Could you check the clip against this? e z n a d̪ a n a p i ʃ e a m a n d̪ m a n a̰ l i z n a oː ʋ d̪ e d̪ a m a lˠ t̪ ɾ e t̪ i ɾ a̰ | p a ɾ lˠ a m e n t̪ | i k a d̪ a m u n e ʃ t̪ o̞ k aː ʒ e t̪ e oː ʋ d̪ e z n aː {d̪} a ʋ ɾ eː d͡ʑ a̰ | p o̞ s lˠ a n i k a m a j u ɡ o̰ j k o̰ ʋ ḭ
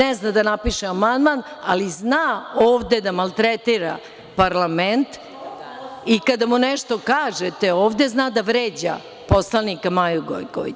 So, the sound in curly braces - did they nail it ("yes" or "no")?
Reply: yes